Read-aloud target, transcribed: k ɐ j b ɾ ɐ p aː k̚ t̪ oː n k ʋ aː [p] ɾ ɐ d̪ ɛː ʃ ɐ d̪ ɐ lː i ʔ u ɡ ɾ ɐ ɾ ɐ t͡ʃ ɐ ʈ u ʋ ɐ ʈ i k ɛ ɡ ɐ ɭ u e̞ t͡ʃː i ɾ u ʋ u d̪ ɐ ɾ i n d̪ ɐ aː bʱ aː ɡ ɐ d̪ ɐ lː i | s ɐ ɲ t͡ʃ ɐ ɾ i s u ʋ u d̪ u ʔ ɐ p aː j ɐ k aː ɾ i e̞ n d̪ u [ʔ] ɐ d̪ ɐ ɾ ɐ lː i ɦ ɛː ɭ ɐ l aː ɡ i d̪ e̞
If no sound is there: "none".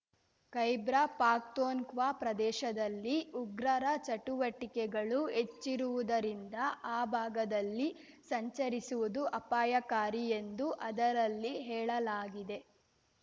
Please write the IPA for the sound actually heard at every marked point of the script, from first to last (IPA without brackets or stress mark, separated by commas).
p, ʔ